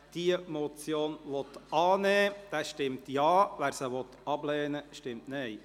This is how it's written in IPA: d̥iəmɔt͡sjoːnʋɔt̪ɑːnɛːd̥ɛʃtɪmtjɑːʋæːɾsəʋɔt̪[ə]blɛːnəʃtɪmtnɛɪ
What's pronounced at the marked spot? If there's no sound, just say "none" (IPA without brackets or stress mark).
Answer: ɑ